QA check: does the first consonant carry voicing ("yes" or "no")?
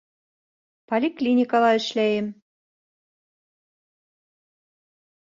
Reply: no